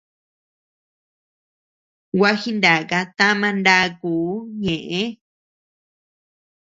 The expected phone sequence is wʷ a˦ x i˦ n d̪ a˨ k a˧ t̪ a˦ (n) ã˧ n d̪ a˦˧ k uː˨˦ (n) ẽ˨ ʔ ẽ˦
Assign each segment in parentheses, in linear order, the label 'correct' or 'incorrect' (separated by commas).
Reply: incorrect, incorrect